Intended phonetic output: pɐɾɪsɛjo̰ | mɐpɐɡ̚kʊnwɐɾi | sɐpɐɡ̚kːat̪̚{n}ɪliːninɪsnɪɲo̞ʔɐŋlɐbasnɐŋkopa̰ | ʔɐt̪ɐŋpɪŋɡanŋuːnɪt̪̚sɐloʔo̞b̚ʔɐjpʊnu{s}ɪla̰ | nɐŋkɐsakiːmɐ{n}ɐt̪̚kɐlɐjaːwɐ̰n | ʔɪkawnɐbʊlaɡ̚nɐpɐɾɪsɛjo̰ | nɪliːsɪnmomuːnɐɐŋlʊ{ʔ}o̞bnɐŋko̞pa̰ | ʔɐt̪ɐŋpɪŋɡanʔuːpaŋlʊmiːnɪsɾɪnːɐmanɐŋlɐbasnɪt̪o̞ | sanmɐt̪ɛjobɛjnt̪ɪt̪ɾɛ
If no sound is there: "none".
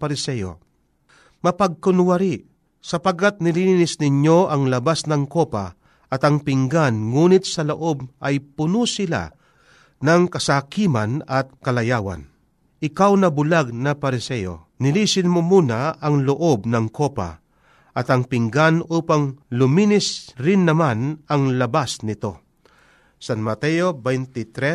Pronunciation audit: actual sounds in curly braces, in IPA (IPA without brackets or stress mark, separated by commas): n, s, n, ʔ